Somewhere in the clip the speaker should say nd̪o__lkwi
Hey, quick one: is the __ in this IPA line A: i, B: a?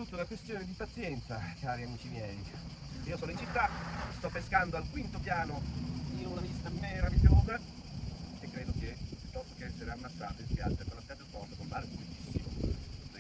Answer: B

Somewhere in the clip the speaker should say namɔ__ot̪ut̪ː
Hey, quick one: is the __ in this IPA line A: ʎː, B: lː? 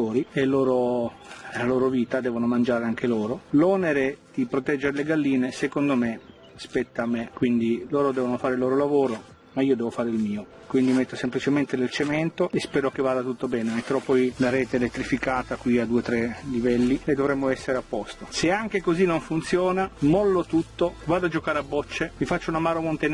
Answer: B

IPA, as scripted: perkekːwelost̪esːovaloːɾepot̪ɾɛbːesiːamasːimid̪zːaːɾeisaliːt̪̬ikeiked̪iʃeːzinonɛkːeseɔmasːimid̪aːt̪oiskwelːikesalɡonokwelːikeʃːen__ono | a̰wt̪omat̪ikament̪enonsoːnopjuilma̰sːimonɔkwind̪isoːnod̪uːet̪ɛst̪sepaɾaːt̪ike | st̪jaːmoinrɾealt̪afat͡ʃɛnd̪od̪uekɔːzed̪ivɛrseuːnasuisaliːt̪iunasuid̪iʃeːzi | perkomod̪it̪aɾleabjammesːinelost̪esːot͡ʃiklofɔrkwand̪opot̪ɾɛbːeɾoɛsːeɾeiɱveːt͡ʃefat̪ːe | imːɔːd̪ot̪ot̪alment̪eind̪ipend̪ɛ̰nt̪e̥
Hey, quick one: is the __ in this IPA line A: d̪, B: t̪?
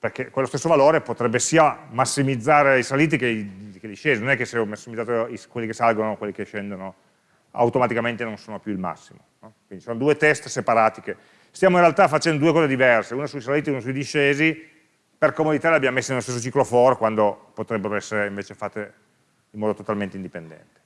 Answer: A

